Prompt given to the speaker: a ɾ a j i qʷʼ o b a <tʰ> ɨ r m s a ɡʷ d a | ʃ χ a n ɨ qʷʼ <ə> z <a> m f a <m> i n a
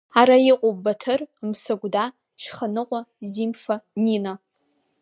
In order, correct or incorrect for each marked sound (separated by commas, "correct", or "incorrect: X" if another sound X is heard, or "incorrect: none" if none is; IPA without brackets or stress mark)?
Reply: correct, incorrect: a, incorrect: i, incorrect: n